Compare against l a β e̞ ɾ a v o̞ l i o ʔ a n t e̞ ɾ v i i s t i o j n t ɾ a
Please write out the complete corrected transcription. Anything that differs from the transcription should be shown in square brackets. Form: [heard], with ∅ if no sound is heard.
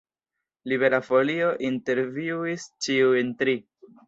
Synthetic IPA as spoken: l [i] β e̞ ɾ a [f] o̞ l i o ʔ [i] n t e̞ ɾ v i i s [t͡ʃ] i [u] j n t ɾ [i]